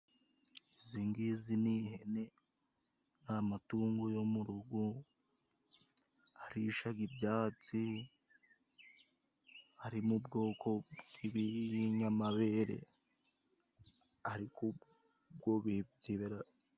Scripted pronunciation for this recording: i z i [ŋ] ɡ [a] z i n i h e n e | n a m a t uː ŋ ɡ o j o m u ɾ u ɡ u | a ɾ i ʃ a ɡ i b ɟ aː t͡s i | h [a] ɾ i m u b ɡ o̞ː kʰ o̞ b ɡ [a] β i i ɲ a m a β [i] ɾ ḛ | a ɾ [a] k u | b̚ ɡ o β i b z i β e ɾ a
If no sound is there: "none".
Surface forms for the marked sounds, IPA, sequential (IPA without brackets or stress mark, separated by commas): ŋ, i, a, i, e, i